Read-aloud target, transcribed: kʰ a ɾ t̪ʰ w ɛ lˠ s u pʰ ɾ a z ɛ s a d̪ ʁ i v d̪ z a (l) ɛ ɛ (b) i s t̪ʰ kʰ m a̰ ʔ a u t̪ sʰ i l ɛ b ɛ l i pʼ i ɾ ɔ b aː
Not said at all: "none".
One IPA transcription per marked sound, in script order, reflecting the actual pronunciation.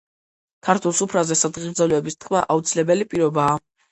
l, b

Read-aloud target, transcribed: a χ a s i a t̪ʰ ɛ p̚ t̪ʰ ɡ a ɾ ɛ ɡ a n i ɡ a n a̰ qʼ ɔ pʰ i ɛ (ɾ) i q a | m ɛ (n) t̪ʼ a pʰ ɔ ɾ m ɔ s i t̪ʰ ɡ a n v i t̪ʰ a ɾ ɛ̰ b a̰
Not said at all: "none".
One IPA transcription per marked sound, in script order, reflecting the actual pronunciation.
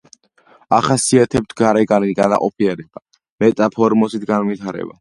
ɾ, none

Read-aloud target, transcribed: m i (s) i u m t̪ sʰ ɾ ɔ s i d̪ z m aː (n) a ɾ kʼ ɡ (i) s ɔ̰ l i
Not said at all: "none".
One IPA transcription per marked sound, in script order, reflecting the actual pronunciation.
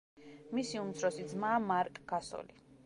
s, m, a

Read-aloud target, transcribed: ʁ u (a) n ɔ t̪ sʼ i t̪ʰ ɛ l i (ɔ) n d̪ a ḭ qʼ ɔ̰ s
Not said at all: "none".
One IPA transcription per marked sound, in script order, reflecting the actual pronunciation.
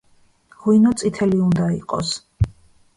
i, u

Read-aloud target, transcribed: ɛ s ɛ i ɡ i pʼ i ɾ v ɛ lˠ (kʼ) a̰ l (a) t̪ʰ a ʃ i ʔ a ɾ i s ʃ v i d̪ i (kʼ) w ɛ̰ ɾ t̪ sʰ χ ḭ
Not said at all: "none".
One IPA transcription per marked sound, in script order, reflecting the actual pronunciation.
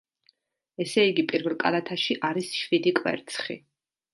kʼ, a, kʼ

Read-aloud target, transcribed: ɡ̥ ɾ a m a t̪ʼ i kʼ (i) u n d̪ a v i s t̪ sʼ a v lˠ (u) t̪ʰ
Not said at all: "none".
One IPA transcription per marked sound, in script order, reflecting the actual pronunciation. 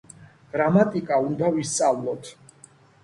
a, ɔ

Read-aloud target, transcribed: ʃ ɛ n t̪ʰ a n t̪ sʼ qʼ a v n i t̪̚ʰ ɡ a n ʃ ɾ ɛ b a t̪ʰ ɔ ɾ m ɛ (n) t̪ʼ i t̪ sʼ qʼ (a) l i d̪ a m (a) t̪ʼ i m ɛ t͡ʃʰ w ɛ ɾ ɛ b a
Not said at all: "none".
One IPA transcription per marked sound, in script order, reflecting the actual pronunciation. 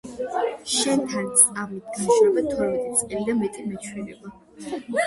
none, ɛ, ɛ

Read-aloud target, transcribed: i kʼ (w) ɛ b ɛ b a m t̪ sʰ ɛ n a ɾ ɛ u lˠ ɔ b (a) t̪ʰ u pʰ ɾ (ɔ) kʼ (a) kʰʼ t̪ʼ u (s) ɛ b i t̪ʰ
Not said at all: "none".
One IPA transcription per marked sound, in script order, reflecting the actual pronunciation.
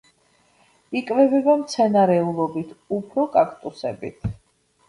v, i, ɔ, a, s

